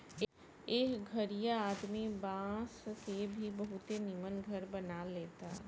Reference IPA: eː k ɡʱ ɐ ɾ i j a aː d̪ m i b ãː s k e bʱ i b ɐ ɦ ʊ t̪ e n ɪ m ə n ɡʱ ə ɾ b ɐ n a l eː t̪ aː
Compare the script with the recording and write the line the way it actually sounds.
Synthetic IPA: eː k ɡʱ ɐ ɾ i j a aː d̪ m i b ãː s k e bʱ i b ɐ ɦ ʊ t̪ e n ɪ m ə n ɡʱ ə ɾ b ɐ n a l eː t̪ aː